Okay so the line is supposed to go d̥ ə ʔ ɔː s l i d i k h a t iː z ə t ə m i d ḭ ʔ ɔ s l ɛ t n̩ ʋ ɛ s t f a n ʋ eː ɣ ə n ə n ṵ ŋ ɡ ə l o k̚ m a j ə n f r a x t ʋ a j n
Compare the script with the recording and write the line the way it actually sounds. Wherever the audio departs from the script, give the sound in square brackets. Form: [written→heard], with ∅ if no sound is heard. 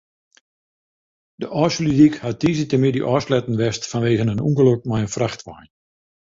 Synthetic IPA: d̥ ə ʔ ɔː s l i d i k h a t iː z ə t ə m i d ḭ ʔ ɔ s l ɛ t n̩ ʋ ɛ s t f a n ʋ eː ɣ ə n ə n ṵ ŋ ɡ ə l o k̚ m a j ə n f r a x t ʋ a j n